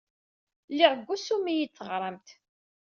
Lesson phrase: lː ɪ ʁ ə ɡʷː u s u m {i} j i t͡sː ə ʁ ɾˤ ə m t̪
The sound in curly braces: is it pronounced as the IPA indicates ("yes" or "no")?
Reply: yes